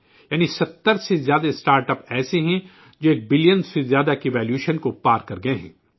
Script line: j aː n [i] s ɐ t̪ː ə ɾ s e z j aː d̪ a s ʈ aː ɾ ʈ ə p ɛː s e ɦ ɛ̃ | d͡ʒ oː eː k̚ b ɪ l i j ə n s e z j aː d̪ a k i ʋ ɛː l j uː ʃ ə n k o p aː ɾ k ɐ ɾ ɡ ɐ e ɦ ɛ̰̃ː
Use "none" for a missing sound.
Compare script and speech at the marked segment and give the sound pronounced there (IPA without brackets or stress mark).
i